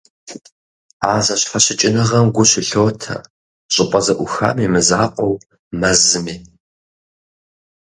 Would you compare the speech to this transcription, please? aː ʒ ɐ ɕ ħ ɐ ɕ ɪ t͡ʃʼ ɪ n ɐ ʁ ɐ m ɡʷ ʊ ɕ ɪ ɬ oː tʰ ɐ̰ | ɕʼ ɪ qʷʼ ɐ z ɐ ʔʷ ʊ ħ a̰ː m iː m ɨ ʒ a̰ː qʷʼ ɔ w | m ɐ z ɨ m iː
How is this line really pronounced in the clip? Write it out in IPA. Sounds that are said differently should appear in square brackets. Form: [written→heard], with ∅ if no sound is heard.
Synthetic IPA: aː [ʒ→z] ɐ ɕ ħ ɐ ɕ ɪ t͡ʃʼ ɪ n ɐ ʁ ɐ m ɡʷ ʊ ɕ ɪ ɬ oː tʰ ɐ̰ | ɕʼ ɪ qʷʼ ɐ z ɐ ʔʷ ʊ [ħ→x] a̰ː m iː m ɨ [ʒ→z] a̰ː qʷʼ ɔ w | m ɐ z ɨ m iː